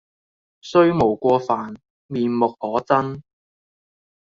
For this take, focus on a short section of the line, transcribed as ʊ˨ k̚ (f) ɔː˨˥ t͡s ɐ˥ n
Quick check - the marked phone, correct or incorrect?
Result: incorrect